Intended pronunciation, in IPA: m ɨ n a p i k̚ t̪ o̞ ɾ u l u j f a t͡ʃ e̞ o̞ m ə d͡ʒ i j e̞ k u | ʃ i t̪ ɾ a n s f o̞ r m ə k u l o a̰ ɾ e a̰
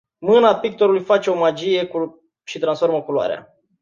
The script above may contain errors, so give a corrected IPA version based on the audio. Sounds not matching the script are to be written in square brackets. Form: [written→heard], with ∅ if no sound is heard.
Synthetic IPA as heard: m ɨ n a p i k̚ t̪ o̞ ɾ u l u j f a t͡ʃ e̞ o̞ m [ə→a] d͡ʒ i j e̞ k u | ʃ i t̪ ɾ a n s f o̞ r m ə k u l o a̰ ɾ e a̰